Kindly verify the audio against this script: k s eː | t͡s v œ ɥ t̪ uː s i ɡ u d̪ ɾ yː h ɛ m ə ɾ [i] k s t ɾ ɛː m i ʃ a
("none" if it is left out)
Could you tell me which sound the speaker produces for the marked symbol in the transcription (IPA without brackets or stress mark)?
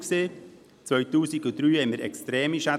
ɛ